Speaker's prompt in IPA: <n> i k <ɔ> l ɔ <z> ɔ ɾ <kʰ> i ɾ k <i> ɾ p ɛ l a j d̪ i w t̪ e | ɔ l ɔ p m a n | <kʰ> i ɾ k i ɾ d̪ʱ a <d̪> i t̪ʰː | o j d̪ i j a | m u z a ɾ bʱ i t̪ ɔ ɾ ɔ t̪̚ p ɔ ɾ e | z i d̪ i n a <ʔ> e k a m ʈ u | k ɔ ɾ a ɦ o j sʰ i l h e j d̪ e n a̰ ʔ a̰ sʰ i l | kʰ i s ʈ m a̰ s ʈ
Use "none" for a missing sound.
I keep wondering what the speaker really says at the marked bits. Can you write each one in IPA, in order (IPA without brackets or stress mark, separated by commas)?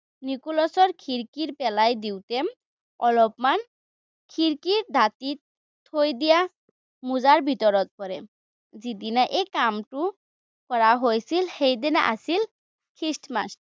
n, u, s, kʰ, i, kʰ, t̪, ʔ